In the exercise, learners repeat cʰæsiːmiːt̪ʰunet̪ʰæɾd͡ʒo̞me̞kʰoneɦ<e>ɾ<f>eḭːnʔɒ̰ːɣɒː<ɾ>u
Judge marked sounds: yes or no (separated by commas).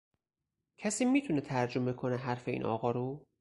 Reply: no, yes, yes